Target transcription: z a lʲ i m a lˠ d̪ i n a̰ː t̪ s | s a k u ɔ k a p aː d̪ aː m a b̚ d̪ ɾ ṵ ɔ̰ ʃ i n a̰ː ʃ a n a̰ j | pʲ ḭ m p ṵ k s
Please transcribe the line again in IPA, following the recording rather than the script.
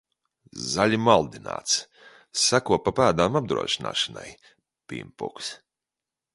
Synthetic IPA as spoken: z a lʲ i m a lˠ d̪ i n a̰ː t̪ s | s a k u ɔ p a p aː d̪ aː m a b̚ d̪ ɾ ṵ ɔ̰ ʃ i n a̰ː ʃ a n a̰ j | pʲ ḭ m p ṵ k s